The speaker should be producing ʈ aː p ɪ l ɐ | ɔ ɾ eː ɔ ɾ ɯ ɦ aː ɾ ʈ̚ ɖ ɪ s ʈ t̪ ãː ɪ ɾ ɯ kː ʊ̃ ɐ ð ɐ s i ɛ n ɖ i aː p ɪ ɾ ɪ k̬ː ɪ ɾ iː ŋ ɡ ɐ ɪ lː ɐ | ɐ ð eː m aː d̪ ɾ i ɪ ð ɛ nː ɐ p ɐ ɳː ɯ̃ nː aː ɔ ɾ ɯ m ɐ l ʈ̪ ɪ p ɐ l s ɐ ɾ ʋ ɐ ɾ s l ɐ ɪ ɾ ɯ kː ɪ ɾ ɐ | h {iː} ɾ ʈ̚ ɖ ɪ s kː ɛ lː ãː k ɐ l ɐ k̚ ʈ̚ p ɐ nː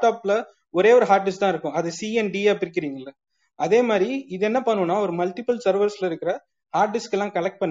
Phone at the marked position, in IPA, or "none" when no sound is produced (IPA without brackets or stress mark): aː